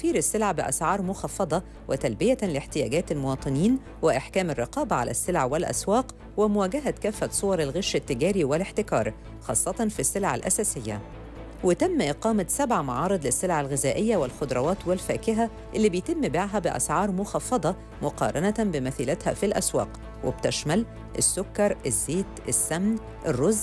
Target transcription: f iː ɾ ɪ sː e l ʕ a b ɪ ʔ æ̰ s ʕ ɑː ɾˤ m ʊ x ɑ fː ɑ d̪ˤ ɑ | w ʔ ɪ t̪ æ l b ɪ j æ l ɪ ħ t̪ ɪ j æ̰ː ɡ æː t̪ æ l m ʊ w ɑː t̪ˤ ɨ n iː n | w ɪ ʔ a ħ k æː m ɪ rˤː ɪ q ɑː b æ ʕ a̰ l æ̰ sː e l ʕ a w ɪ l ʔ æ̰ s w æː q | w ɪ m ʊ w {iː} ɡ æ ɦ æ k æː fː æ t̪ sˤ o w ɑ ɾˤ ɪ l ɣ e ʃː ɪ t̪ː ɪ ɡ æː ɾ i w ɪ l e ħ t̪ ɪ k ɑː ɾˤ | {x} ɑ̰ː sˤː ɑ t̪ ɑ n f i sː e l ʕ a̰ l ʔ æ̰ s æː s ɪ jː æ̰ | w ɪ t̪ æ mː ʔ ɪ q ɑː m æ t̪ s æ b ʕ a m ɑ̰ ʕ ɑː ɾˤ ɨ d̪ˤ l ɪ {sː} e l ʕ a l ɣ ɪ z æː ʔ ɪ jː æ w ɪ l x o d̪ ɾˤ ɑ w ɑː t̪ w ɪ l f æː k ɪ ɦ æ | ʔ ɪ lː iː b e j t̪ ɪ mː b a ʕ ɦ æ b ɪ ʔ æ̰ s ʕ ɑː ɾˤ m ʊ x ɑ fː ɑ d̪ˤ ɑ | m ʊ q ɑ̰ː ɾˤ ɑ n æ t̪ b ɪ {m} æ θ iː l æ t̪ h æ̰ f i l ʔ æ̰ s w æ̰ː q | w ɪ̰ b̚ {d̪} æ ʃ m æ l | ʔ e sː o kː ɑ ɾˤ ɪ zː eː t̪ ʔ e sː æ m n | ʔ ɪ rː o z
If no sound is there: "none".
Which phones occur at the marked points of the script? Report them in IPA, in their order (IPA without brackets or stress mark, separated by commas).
æː, x, sː, m, t̪